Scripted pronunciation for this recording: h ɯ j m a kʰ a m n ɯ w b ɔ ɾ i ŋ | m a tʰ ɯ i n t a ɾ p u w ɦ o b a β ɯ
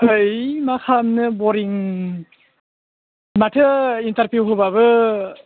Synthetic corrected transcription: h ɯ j m a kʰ a m n ɯ b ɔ ɾ i ŋ | m a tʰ ɯ i n t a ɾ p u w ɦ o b a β ɯ